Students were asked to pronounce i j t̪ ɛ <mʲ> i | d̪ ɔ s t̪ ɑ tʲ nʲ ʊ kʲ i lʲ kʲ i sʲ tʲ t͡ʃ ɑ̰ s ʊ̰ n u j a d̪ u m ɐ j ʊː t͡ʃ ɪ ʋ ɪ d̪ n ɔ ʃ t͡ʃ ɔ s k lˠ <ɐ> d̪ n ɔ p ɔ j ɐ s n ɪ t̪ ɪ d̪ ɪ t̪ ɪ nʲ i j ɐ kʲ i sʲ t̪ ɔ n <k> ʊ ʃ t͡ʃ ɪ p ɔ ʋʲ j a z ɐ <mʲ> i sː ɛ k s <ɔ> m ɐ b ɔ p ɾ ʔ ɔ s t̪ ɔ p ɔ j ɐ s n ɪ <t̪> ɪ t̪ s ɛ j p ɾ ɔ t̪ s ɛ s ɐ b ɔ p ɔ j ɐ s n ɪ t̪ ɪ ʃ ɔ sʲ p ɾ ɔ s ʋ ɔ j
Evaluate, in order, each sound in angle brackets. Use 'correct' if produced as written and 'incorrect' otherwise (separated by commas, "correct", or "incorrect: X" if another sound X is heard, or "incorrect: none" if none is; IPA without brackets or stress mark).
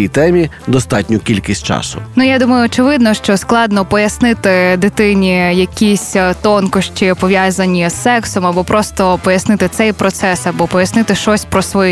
correct, incorrect: ɑ, correct, incorrect: nʲ, correct, correct